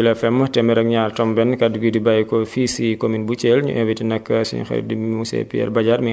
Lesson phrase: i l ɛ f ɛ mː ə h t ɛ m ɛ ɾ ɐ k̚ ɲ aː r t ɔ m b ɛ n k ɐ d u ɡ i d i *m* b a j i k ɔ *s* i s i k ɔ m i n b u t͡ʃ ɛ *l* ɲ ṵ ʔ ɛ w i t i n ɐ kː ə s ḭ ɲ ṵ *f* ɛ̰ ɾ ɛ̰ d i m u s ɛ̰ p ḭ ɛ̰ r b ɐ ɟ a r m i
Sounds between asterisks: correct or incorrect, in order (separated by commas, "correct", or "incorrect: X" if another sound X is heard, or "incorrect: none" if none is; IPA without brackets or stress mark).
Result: incorrect: none, incorrect: f, correct, incorrect: x